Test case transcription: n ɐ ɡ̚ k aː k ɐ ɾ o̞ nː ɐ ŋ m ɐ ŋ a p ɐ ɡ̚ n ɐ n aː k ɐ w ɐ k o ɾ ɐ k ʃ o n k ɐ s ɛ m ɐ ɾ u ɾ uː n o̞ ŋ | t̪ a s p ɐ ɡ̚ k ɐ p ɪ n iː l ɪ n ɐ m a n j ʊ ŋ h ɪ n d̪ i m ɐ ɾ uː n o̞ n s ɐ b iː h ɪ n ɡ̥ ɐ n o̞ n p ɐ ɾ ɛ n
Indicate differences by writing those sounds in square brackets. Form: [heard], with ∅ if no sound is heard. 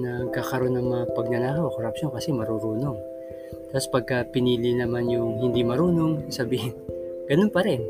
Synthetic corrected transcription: n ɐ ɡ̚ k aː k ɐ ɾ o̞ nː ɐ ŋ m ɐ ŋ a p ɐ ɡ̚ n ɐ n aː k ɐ w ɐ k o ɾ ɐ [p] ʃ o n k ɐ s ɛ m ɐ ɾ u ɾ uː n o̞ ŋ | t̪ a s p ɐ ɡ̚ k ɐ p ɪ n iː l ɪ n ɐ m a n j ʊ ŋ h ɪ n d̪ i m ɐ ɾ uː n o̞ [ŋ] s ɐ b iː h ɪ n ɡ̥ ɐ n o̞ n p ɐ ɾ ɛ n